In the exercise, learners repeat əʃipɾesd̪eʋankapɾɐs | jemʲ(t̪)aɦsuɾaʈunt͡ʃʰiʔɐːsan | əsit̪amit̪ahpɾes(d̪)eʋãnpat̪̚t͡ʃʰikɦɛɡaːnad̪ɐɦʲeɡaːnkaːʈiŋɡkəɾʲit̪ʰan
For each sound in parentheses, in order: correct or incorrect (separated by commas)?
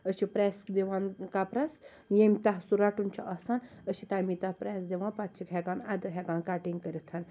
correct, correct